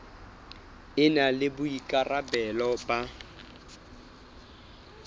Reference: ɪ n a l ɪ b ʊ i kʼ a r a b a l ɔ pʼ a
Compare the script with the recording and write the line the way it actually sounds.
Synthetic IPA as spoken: ɪ n a l ɪ b ʊ i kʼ a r a b ɛ l ɔ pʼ a